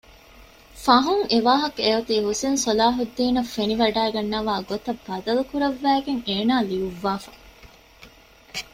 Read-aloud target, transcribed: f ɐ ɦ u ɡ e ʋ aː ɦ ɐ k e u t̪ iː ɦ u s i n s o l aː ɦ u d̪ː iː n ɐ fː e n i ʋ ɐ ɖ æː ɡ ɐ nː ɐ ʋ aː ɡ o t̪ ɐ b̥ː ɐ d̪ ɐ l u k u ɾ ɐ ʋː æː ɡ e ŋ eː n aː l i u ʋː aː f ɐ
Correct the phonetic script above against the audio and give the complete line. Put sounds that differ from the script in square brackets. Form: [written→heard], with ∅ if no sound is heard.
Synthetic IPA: f ɐ ɦ u [ɡ→ŋ] e ʋ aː ɦ ɐ k e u t̪ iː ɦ u s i n s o l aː ɦ u d̪ː iː n ɐ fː e n i ʋ ɐ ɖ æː ɡ ɐ nː ɐ ʋ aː ɡ o t̪ ɐ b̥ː ɐ d̪ ɐ l u k u ɾ ɐ ʋː æː ɡ e ŋ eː n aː l i u ʋː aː f ɐ